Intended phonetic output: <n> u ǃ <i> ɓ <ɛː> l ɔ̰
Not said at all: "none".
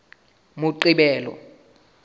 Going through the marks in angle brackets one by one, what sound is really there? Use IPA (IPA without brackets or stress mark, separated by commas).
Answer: m, i, ɛː